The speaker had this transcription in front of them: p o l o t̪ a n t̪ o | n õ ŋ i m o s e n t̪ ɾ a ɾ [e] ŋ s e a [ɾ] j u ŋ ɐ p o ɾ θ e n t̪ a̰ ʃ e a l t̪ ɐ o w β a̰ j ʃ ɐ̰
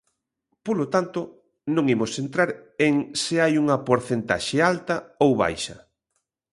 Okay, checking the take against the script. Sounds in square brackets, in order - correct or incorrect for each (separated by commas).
correct, incorrect